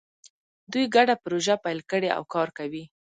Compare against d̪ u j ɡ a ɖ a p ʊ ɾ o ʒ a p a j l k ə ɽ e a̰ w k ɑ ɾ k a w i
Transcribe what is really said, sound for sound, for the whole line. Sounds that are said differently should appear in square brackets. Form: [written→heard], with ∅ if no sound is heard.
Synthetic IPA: d̪ u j ɡ a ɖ a p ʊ ɾ o ʒ a p a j l k ə ɽ e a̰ w k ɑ ɾ k a w i